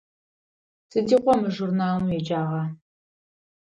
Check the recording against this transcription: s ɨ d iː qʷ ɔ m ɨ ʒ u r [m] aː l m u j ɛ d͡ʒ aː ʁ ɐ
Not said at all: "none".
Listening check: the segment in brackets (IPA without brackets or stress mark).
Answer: n